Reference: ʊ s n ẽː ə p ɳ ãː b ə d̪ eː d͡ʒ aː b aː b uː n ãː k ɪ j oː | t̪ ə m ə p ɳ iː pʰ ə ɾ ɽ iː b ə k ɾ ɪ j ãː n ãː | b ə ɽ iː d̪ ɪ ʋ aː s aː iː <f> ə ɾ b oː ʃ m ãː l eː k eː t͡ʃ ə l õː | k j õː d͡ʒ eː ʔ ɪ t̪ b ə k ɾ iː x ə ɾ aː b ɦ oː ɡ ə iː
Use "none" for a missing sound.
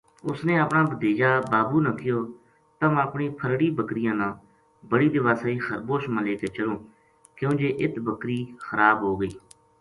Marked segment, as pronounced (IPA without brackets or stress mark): x